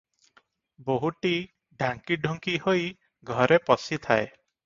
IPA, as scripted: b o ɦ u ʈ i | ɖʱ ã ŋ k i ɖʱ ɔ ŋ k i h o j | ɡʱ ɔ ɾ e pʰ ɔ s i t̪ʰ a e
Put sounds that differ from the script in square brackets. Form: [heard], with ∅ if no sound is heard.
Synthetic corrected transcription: b o ɦ u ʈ i | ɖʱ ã ŋ k i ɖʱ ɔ ŋ k i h o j | ɡʱ ɔ ɾ e [p] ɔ s i t̪ʰ a e